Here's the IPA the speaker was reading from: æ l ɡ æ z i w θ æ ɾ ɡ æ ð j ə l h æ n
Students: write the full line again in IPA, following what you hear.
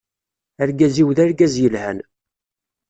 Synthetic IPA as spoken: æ ɾ ɡ æ z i w ð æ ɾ ɡ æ z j ə l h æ n